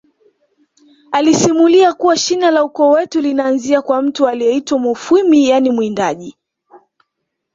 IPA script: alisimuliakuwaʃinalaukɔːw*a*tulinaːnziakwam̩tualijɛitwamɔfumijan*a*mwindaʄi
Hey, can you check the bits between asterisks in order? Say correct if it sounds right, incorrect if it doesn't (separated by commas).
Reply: incorrect, incorrect